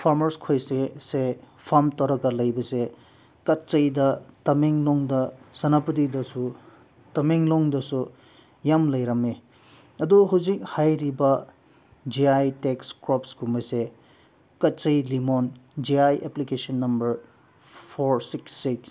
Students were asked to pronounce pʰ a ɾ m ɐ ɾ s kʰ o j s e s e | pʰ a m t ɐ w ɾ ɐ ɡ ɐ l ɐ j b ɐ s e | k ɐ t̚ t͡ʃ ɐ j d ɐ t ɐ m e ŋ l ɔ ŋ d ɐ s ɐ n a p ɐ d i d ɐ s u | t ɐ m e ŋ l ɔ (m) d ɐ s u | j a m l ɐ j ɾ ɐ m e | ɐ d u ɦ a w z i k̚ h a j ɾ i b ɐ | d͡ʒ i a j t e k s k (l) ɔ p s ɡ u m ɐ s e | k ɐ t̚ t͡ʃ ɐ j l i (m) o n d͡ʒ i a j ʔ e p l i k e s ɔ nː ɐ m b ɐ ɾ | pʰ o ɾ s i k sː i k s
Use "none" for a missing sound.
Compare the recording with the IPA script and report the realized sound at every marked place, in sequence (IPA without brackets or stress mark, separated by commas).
ŋ, ɾ, m